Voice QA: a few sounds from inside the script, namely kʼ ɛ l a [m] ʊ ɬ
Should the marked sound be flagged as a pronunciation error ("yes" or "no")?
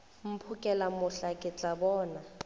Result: no